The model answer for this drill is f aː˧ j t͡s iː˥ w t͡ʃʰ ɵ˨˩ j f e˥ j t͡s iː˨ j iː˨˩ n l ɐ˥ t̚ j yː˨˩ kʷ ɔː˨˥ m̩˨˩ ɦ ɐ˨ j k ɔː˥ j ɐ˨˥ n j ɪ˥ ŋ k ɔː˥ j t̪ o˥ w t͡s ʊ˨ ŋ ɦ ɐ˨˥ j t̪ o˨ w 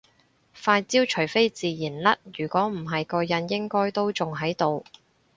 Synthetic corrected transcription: f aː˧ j t͡s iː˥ w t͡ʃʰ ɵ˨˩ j f e˥ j t͡s iː˨ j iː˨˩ n l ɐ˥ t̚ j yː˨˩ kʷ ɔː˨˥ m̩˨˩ ɦ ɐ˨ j k ɔː˧ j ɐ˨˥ n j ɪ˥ ŋ k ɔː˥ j t̪ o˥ w t͡s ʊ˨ ŋ ɦ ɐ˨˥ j t̪ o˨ w